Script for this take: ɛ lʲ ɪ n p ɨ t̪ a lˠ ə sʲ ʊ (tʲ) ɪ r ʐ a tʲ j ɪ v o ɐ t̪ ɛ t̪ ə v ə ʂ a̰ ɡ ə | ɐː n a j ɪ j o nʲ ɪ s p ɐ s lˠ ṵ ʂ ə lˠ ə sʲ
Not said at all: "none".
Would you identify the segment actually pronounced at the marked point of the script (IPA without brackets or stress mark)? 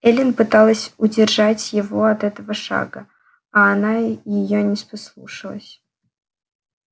dʲ